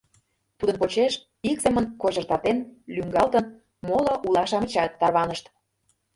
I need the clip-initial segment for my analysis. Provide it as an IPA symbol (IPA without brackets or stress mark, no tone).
t̪